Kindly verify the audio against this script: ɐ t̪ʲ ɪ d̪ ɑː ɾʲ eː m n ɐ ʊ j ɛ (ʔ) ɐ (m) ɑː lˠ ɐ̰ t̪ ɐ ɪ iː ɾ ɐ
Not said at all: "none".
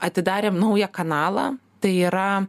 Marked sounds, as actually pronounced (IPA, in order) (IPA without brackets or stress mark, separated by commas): k, n